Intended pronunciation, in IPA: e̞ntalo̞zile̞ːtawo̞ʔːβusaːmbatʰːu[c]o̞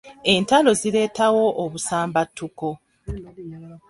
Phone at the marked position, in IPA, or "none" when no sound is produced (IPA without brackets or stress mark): k